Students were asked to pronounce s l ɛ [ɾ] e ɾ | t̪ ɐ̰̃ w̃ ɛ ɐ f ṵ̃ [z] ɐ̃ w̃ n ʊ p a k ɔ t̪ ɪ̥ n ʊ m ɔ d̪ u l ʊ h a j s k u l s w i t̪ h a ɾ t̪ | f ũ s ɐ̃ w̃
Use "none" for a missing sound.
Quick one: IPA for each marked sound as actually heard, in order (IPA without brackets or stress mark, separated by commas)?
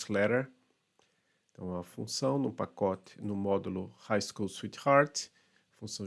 ɾ, s